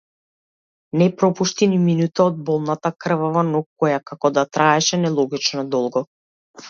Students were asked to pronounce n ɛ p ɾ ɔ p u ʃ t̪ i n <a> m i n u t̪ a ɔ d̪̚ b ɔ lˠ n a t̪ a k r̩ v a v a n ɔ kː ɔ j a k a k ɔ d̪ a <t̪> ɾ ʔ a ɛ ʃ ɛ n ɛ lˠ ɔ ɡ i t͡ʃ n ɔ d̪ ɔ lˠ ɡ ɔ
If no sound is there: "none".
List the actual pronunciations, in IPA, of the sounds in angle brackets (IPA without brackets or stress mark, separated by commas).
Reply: i, t̪